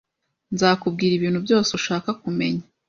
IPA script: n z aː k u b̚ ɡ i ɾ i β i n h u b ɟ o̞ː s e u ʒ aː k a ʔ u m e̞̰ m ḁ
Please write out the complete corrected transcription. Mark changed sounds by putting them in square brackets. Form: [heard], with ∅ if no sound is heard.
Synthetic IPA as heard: n z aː k u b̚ ɡ [iː] ɾ i β [iː] n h u b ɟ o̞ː s e u [ʃ] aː k a [k] u m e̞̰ [ɲ] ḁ